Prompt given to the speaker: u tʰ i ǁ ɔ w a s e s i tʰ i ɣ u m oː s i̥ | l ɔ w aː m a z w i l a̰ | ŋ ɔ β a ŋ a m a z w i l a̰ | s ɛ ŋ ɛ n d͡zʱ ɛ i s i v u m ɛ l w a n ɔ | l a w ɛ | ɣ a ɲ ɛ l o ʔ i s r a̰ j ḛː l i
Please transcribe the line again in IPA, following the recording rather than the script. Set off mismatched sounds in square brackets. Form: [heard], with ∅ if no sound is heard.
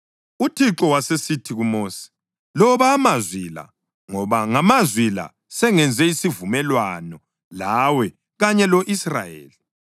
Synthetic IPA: u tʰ i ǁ ɔ w a s e s i tʰ i ɣ u m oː s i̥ | l ɔ [β] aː m a z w i l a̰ | ŋ ɔ β a ŋ a m a z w i l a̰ | s ɛ ŋ ɛ n d͡zʱ ɛ i s i v u m ɛ l w a n ɔ | l a w ɛ | ɣ a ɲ ɛ l o ʔ i s r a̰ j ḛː l i